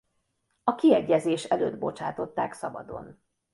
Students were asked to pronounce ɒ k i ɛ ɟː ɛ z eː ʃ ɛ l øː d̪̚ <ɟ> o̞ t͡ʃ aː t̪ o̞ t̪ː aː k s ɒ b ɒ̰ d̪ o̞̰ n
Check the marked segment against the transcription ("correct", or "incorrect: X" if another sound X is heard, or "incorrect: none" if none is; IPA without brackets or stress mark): incorrect: b